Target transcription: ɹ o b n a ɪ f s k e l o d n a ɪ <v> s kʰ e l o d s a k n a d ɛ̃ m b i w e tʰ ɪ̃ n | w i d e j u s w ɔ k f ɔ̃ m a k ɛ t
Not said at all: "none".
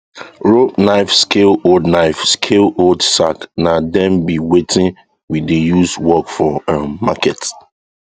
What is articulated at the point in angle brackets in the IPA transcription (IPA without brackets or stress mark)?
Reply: f